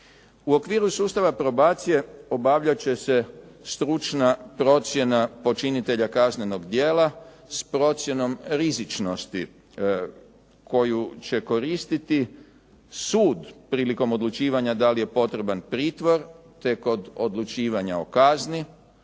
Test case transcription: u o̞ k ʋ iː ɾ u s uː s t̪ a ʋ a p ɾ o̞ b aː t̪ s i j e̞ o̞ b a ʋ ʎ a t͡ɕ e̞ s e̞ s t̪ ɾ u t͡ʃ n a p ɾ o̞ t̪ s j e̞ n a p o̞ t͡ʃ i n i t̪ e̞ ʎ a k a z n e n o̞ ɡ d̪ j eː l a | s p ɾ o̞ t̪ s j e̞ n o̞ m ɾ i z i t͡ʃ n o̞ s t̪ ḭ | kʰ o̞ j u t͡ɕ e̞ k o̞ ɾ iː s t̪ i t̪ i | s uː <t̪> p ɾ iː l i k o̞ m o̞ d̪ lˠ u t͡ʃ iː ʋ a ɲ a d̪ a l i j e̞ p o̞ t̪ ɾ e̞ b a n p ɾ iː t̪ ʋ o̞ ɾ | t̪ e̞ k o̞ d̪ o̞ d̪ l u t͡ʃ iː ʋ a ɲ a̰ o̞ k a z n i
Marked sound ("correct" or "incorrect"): incorrect